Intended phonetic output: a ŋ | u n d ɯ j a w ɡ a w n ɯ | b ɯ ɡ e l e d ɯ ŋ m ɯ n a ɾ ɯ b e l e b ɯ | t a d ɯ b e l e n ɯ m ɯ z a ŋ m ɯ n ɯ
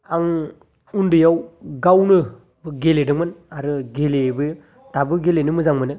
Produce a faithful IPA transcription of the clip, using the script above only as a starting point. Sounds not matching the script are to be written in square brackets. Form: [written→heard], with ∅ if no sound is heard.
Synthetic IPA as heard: a ŋ | u n d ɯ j a w ɡ a w n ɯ | b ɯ ɡ e l e d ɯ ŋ m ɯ n a ɾ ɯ [b→ɡ] e l e b ɯ | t a [d→b] ɯ [b→ɡ] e l e n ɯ m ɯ z a ŋ m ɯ n ɯ